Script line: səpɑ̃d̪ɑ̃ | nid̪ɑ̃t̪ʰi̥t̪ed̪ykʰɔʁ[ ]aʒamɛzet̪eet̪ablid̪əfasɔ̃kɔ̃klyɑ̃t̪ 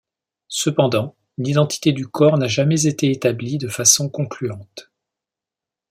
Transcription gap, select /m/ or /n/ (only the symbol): n